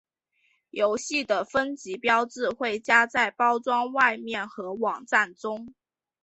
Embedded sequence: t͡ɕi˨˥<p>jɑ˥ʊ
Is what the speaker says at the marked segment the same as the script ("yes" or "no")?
yes